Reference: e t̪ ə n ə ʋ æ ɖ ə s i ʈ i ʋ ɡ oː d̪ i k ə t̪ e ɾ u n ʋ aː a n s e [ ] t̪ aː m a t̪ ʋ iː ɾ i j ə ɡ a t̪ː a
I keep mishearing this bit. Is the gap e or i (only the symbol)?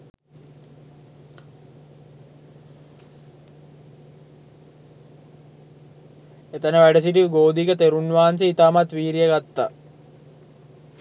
i